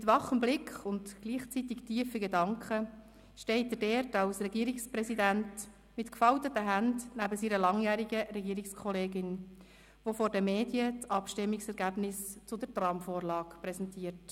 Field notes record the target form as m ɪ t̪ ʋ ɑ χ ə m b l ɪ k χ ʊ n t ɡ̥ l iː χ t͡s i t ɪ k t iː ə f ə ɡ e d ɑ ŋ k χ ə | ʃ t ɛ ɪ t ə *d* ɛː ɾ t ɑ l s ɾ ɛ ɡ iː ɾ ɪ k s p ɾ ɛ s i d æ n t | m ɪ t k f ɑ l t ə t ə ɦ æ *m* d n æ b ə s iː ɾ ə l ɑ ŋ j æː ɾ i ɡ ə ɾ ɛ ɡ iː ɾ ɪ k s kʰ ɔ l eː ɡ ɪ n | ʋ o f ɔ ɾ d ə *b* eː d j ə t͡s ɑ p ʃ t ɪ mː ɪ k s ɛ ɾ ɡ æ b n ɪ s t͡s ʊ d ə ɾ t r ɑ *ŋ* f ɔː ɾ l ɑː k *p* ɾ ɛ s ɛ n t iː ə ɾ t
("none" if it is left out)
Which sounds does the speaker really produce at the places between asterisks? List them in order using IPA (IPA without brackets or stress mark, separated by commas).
d, n, m, m, p